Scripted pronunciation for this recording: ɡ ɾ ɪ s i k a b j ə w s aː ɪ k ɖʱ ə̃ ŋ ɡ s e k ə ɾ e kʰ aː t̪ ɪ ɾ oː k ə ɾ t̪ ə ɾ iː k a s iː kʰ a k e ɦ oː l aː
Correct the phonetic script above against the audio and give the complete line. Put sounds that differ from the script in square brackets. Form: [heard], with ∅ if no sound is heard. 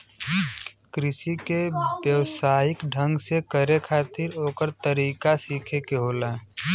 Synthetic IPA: [k] ɾ ɪ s i k [e] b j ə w s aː ɪ k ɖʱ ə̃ ŋ ɡ s e k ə ɾ e kʰ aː t̪ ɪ ɾ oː k ə ɾ t̪ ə ɾ iː k a s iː kʰ [e] k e ɦ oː l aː